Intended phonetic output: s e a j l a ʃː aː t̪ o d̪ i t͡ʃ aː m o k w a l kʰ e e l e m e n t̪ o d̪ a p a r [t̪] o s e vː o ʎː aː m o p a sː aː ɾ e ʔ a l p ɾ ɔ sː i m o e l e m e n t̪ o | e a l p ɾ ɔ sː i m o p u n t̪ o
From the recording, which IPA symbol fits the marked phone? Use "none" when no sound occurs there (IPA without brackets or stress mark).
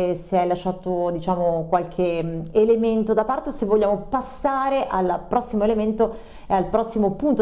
t̪